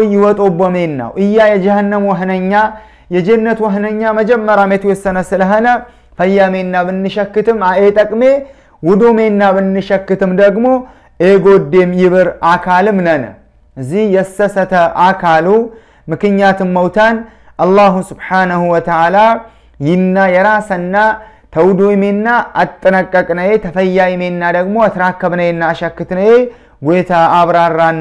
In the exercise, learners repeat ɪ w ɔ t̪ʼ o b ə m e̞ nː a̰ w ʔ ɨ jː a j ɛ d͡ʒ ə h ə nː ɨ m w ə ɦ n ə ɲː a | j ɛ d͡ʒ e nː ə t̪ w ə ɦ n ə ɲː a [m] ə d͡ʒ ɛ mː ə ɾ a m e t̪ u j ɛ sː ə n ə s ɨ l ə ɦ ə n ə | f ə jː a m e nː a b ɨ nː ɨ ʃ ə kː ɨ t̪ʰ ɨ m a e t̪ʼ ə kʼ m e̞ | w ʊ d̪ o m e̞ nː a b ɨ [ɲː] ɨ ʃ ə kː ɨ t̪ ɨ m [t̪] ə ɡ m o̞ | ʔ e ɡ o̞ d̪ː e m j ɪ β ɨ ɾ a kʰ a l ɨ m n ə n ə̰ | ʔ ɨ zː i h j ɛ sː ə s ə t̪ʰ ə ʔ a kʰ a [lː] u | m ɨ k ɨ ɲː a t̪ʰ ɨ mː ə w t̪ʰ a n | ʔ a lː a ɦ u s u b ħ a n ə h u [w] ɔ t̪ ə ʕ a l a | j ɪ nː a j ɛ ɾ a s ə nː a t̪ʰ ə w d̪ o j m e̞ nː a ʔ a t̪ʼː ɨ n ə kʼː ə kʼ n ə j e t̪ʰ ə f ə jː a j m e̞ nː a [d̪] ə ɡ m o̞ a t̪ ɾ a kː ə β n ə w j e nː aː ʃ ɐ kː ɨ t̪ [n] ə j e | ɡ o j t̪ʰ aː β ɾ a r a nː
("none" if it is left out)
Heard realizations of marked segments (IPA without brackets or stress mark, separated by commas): m, nː, d̪, l, w, d̪, n